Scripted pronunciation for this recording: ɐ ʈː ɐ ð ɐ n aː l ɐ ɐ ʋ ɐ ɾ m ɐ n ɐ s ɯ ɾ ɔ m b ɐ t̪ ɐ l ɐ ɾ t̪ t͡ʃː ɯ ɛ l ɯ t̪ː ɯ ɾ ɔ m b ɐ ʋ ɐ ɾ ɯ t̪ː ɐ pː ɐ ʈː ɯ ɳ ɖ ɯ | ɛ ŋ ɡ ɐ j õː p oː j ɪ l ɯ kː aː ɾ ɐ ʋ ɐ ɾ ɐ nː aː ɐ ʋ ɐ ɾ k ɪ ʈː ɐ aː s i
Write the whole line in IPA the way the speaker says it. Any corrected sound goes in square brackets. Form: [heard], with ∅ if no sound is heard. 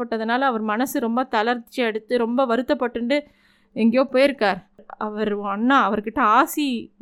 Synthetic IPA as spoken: ɐ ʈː ɐ ð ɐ n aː l ɐ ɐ ʋ ɐ ɾ m ɐ n ɐ s ɯ ɾ ɔ m b ɐ t̪ ɐ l ɐ ɾ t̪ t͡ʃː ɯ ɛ [ɽ] ɯ t̪ː ɯ ɾ ɔ m b ɐ ʋ ɐ ɾ ɯ t̪ː ɐ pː ɐ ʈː ɯ ɳ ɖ ɯ | ɛ ŋ ɡ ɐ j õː p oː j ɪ [ɾ] ɯ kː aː ɾ ɐ ʋ ɐ ɾ ɐ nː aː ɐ ʋ ɐ ɾ k ɪ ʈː ɐ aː s i